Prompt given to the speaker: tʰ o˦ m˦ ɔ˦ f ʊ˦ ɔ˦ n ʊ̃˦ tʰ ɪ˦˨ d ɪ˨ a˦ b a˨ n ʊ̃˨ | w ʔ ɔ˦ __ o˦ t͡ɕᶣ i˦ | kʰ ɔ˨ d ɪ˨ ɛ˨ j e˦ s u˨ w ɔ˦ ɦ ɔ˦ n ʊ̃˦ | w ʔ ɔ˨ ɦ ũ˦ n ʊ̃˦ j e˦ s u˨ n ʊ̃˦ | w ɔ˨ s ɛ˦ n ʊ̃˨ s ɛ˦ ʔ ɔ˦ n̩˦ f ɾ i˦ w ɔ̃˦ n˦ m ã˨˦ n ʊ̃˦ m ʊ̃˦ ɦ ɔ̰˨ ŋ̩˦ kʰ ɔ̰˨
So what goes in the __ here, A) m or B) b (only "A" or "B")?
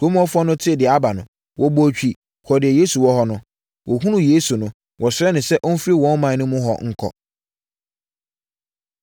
B